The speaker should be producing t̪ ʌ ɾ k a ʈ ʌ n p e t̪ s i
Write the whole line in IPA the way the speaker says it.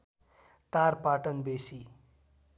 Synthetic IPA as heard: t̪ a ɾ p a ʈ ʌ n b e s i